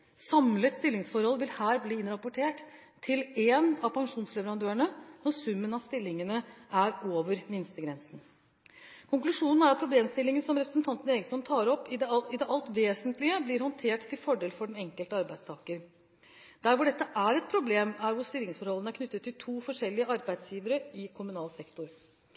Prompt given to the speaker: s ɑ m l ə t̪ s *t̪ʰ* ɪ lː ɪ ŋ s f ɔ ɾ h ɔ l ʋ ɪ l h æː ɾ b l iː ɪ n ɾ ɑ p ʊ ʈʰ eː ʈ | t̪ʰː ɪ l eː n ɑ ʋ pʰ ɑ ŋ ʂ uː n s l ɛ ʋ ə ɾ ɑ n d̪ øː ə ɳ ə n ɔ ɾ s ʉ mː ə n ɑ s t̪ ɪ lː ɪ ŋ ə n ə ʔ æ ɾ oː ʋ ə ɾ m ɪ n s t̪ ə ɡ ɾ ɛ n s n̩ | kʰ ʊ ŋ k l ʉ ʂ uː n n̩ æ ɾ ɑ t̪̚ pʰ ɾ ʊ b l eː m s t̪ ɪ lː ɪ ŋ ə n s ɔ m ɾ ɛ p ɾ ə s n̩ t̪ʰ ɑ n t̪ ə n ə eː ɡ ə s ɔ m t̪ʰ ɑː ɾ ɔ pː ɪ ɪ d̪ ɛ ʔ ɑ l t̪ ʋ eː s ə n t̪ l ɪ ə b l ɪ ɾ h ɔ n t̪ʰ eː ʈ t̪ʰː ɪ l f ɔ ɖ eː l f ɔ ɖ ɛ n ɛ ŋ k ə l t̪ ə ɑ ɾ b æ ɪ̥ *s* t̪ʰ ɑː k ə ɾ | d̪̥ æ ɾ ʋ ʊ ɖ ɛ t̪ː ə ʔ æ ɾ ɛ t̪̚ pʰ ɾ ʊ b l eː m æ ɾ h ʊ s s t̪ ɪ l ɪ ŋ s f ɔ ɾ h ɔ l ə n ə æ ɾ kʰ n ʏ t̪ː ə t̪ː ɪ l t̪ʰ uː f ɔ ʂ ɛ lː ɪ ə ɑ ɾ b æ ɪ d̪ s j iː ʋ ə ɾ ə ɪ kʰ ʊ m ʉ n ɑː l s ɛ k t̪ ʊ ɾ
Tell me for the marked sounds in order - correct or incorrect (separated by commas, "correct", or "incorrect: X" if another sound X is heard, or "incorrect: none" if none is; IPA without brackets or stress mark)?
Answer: incorrect: t̪, correct